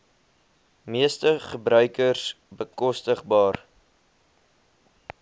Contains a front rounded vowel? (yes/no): yes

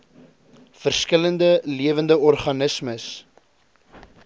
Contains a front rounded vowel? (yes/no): no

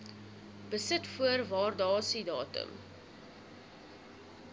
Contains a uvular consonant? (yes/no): no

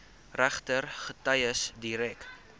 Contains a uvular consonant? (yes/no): yes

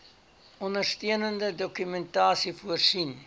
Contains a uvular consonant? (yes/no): no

